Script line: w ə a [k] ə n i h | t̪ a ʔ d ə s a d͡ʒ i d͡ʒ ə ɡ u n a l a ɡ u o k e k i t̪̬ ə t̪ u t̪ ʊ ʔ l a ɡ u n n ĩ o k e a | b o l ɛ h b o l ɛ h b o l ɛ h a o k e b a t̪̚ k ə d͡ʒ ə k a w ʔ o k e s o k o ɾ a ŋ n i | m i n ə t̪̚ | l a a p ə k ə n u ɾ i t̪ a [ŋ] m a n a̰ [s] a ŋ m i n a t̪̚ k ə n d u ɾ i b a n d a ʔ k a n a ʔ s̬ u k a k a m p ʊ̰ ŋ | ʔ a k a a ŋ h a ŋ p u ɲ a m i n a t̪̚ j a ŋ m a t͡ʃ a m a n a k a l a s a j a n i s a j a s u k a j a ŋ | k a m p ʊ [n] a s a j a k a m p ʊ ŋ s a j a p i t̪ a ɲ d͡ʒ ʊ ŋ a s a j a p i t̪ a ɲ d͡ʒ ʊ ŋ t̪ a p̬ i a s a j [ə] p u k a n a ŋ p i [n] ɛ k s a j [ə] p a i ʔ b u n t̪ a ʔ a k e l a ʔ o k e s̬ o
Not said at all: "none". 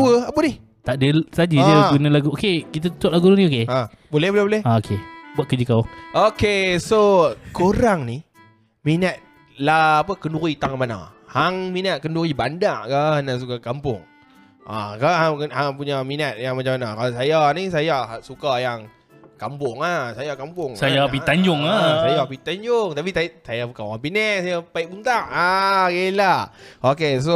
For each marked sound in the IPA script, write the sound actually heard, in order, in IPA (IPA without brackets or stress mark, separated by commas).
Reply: p, ŋ, h, ŋ, a, n, a